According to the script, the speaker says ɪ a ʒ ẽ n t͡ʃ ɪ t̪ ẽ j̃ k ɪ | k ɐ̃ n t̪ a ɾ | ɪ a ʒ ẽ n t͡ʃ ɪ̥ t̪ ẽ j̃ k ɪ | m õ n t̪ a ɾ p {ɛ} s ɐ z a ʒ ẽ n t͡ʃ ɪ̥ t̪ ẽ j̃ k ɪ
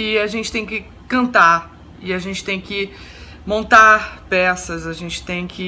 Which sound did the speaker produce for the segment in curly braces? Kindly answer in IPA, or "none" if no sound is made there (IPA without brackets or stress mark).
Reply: ɛ